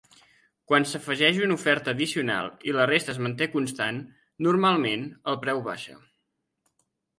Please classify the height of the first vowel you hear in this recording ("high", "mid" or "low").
low